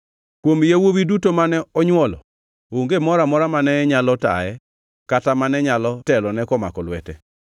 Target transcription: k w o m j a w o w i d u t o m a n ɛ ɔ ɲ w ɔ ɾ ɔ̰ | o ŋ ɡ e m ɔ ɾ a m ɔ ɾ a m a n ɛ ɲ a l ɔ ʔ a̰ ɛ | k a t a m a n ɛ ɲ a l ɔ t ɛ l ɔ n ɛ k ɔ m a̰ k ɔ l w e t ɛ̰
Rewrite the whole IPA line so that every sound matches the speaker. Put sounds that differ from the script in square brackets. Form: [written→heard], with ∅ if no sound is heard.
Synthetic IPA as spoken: k w o m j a w o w i d u t o m a n ɛ ɔ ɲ w ɔ [ɾ→l] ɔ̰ | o ŋ ɡ e m ɔ ɾ a m ɔ ɾ a m a n ɛ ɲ a l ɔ [ʔ→t] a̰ ɛ | k a t a m a n ɛ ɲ a l ɔ t ɛ l ɔ n ɛ k ɔ m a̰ k ɔ l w [e→ɛ] t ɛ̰